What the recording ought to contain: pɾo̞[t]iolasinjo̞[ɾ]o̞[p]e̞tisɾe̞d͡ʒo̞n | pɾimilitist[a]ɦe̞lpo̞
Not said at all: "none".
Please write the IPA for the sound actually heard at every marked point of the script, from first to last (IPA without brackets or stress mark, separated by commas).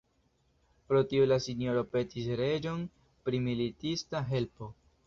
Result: t, ɾ, p, a